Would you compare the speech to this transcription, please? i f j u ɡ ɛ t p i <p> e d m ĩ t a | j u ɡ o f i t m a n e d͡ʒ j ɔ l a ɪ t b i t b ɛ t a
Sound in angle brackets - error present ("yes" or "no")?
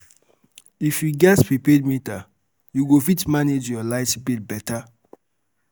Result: no